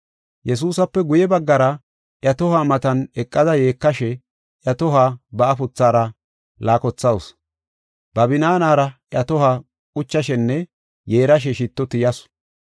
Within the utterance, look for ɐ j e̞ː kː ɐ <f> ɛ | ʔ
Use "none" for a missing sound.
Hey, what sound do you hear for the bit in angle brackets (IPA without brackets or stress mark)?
ʃ